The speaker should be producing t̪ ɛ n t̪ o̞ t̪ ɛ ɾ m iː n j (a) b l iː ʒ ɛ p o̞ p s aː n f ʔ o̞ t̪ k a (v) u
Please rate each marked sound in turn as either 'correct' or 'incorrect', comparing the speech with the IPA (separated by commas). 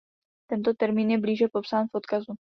incorrect, incorrect